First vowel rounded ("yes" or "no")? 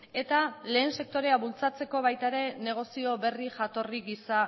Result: no